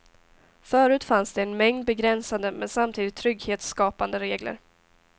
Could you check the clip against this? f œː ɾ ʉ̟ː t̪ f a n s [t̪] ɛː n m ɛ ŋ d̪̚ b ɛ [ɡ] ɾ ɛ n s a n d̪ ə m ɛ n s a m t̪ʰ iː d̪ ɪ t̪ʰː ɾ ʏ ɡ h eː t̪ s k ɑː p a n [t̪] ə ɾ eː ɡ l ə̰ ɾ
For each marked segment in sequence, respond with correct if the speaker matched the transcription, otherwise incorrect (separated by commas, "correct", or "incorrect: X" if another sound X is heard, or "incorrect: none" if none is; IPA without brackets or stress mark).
incorrect: d̪, correct, incorrect: d̪